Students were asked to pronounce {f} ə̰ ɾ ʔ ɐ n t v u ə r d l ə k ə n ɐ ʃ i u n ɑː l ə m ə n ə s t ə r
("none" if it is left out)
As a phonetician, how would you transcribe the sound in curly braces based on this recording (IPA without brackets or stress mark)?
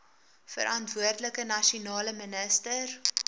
f